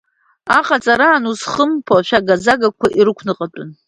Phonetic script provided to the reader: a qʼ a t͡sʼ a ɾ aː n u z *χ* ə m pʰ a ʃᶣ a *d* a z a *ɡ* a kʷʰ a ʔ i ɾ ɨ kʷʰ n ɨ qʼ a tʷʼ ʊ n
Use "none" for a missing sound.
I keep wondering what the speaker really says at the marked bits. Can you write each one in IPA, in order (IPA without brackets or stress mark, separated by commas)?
χ, ɡ, ɡ